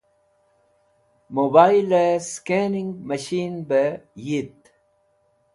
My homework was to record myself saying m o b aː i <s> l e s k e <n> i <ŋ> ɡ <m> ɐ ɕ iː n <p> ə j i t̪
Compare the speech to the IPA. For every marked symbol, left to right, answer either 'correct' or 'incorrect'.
incorrect: none, correct, correct, correct, incorrect: b

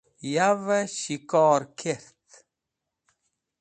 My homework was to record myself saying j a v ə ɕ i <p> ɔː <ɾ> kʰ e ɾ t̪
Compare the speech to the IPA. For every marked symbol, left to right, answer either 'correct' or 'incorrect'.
incorrect: k, correct

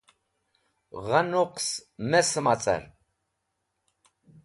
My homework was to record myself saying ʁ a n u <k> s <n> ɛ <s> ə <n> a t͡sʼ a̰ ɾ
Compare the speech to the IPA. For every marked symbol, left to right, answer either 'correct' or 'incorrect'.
incorrect: q, incorrect: m, correct, incorrect: m

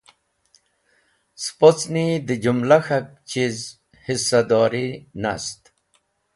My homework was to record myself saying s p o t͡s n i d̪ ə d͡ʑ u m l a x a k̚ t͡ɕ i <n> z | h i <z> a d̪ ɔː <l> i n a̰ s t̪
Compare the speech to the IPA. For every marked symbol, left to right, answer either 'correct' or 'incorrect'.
incorrect: none, incorrect: s, incorrect: ɾ

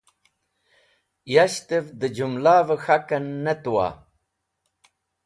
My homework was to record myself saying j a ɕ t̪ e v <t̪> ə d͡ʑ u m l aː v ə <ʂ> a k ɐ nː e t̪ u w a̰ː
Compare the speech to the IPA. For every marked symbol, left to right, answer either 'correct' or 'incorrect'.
incorrect: d̪, incorrect: x

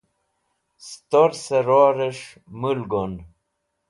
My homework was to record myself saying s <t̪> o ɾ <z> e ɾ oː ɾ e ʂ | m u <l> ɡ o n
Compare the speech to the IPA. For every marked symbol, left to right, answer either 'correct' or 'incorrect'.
correct, incorrect: s, correct

